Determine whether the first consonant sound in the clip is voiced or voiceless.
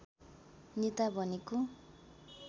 voiced